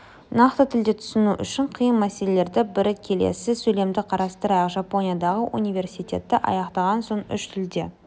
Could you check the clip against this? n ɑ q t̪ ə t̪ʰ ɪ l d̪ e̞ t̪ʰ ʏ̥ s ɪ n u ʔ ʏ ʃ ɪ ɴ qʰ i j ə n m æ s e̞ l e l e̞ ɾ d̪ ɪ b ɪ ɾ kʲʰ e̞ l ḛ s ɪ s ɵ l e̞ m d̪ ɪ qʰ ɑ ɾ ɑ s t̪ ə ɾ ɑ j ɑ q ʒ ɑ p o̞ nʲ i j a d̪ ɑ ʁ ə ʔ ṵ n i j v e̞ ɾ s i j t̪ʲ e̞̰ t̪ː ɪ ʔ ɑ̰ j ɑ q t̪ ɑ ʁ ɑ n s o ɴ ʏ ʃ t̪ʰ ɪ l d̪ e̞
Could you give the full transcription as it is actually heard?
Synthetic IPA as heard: n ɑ q t̪ ə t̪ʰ ɪ l d̪ e̞ t̪ʰ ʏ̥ s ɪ n u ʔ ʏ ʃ ɪ ɴ qʰ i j ə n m æ s e̞ l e l e̞ ɾ d̪ ɪ b ɪ ɾ kʲʰ e̞ l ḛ s ɪ s ɵ l e̞ m d̪ ɪ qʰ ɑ ɾ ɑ s t̪ ə ɾ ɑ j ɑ q ʒ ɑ p o̞ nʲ i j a d̪ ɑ ʁ ə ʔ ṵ n i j v e̞ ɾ s i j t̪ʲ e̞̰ t̪ː ɪ ʔ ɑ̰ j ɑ q t̪ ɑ ʁ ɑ n s o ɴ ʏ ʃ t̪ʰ ɪ l d̪ e̞

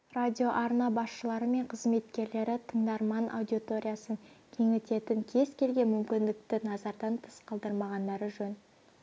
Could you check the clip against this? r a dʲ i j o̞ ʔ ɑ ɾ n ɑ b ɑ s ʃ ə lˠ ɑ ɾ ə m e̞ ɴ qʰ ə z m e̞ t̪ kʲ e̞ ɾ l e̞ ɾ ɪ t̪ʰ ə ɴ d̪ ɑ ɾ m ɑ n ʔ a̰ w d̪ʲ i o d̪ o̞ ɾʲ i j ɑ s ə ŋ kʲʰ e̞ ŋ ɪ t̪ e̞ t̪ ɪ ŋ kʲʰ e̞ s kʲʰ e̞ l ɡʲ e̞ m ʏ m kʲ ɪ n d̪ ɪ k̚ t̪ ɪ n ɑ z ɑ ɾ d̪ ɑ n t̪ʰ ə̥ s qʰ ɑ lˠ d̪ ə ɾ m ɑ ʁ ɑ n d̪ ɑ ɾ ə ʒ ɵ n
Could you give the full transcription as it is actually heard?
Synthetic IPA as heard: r a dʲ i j o̞ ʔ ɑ ɾ n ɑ b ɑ s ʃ ə lˠ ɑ ɾ ə m e̞ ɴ qʰ ə z m e̞ t̪ kʲ e̞ ɾ l e̞ ɾ ɪ t̪ʰ ə ɴ d̪ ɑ ɾ m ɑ n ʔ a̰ w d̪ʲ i o t̪ o̞ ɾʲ i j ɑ s ə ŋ kʲʰ e̞ ŋ ɪ t̪ e̞ t̪ ɪ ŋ kʲʰ e̞ z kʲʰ e̞ l ɡʲ e̞ m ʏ m kʲ ɪ n d̪ ɪ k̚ t̪ ɪ n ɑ z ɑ ɾ d̪ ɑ n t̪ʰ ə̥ s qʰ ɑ lˠ d̪ ə ɾ m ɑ ʁ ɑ n d̪ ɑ ɾ ə ʒ ɵ n

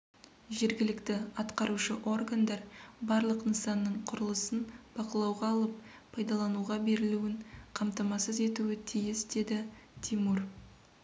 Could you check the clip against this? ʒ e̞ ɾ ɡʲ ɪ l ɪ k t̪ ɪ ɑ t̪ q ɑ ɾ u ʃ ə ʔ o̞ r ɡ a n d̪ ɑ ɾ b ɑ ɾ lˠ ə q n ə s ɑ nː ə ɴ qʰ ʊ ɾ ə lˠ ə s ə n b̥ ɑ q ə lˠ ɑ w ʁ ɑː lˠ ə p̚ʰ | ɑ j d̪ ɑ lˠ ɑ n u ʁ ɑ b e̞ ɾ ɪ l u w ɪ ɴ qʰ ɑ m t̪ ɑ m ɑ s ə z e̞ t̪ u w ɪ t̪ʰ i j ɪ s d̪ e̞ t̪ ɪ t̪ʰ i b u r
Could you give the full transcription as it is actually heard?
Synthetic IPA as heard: ʒ e̞ ɾ ɡʲ ɪ l ɪ k t̪ ɪ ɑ t̪ q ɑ ɾ u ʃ ə ʔ o̞ r ɡ a n d̪ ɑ ɾ b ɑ ɾ lˠ ə q n ə s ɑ nː ə ɴ qʰ ʊ ɾ ə lˠ ə s ə n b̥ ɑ q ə lˠ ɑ w ʁ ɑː lˠ ə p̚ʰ | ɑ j d̪ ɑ lˠ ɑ n u ʁ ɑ b e̞ ɾ ɪ l u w ɪ ɴ qʰ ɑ m t̪ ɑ m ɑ s ə z e̞ t̪ u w ɪ t̪ʰ i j ɪ s d̪ e̞ d̪ ɪ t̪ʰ i m u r

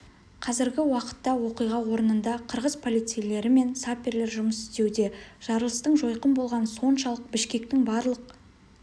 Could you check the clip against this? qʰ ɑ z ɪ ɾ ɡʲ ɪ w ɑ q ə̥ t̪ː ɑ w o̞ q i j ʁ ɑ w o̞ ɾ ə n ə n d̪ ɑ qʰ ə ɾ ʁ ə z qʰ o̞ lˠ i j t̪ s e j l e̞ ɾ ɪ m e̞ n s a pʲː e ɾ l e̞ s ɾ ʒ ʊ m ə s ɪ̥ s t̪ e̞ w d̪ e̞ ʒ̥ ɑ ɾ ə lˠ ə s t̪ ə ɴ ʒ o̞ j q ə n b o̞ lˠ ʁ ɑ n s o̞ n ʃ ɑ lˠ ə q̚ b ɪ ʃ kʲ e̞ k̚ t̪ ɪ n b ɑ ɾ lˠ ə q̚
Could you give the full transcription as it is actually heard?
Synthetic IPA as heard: qʰ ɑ z ɪ ɾ ɡʲ ɪ w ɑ q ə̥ t̪ː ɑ w o̞ q i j ʁ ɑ w o̞ ɾ ə n ə n d̪ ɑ qʰ ə ɾ ʁ ə z pʰ o̞ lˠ i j t̪ s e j l e̞ ɾ ɪ m e̞ n s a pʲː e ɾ l e̞ ɾ ʒ ʊ m ə s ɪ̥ s t̪ e̞ w d̪ e̞ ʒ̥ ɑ ɾ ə lˠ ə s t̪ ə ɴ ʒ o̞ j q ə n b o̞ lˠ ʁ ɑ n s o̞ n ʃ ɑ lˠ ə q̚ b ɪ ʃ kʲ e̞ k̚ t̪ ɪ ŋ b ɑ ɾ lˠ ə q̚

